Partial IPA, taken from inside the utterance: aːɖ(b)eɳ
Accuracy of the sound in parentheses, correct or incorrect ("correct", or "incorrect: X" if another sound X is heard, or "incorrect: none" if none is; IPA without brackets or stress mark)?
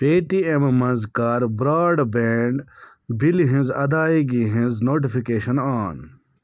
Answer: correct